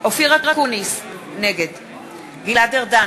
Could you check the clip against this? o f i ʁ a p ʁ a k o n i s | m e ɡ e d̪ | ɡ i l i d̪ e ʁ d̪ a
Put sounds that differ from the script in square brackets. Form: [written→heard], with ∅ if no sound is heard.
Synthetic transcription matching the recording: o f i ʁ a [p→k] ʁ a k [o→u] n i s | [m→n] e ɡ e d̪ | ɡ i l [i→a] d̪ e ʁ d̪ a